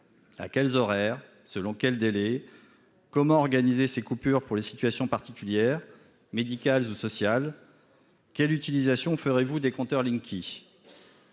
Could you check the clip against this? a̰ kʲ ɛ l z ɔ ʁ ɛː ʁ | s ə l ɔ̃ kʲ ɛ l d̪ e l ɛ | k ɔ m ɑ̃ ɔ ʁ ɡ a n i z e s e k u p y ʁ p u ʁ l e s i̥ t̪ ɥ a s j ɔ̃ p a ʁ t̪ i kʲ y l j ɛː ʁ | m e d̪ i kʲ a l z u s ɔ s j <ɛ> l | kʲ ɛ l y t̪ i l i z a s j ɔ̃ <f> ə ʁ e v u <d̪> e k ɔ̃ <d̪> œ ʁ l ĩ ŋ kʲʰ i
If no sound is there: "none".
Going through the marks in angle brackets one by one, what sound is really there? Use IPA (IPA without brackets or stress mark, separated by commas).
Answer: a, f, d̪, t̪